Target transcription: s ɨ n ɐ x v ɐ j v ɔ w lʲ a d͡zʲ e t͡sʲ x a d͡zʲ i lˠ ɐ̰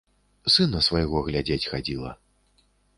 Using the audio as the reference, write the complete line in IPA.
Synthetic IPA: s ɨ n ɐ s v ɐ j ɣ ɔ ɣ lʲ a d͡zʲ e t͡sʲ x a d͡zʲ i lˠ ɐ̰